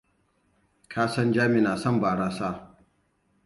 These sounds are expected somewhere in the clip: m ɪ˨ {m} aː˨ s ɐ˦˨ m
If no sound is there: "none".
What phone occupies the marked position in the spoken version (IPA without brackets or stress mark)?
n